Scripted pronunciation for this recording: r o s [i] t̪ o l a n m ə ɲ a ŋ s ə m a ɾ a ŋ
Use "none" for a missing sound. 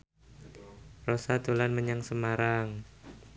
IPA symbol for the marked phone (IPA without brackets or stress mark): a